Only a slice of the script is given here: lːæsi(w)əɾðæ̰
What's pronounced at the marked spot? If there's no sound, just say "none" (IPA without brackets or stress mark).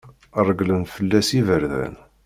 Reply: v